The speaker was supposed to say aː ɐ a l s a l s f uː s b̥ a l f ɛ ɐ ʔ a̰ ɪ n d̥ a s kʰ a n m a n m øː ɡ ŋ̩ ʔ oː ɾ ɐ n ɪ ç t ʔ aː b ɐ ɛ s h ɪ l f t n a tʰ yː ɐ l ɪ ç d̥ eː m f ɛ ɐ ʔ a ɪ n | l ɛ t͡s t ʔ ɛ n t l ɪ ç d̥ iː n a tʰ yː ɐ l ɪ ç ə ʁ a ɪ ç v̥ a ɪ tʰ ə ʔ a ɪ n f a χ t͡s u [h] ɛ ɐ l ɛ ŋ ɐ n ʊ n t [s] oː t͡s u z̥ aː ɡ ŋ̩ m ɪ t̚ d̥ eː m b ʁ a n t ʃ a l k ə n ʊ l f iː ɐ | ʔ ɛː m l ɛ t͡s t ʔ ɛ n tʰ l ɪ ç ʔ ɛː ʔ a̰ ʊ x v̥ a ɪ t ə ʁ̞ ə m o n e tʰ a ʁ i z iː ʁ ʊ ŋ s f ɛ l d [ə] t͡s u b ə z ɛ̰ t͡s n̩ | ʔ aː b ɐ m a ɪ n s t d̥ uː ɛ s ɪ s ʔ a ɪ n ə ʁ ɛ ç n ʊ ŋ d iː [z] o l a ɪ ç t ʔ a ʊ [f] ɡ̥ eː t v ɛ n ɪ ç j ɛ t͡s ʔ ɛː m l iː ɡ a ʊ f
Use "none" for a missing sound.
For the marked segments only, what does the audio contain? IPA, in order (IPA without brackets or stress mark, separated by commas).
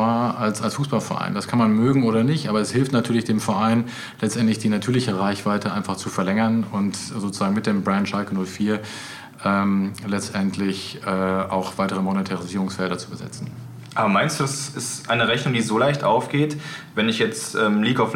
f, z, ɐ, z, f